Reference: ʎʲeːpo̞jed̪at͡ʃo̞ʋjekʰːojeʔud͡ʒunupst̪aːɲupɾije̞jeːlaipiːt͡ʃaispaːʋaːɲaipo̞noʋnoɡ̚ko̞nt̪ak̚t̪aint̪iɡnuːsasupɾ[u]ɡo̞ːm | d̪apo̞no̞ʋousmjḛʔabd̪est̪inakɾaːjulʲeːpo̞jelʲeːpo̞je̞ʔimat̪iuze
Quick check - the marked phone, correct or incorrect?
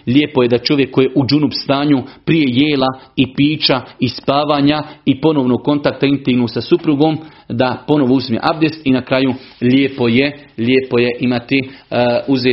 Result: correct